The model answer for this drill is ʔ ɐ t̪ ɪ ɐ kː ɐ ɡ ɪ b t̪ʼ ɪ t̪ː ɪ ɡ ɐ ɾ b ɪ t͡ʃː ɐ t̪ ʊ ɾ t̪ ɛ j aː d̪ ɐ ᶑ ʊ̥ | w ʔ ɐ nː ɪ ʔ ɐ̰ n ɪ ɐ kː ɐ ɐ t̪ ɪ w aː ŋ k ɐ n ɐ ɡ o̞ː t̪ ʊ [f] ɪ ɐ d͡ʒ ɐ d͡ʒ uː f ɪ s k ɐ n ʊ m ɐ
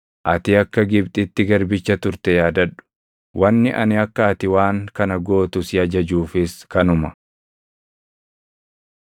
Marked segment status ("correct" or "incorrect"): incorrect